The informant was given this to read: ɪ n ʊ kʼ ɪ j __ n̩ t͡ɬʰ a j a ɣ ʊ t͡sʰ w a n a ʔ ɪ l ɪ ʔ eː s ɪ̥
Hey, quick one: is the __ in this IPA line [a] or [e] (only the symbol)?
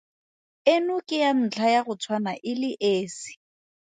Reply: a